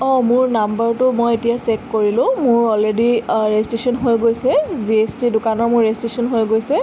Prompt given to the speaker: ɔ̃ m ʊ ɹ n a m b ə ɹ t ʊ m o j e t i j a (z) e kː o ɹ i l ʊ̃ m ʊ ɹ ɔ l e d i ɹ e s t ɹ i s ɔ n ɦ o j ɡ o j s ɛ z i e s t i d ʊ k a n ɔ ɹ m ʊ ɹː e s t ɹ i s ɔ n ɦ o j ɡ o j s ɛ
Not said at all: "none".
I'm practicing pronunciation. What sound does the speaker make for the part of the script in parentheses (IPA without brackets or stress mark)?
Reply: s